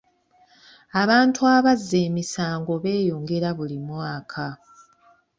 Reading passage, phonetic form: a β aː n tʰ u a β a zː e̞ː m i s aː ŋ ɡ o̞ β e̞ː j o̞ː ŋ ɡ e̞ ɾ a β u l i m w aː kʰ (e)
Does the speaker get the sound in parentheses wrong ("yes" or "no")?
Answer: yes